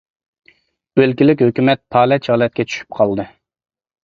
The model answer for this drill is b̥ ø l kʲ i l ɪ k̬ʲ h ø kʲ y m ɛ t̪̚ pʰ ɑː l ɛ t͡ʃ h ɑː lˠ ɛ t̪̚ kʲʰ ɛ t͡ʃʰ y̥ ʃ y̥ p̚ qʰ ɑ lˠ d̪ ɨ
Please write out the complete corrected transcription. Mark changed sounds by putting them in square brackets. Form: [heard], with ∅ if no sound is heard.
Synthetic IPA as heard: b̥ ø l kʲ i l ɪ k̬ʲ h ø kʲ y m ɛ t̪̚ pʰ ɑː l ɛ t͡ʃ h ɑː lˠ ɛ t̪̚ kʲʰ ɛ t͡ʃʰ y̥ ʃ y̥ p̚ qʰ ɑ lˠ d̪ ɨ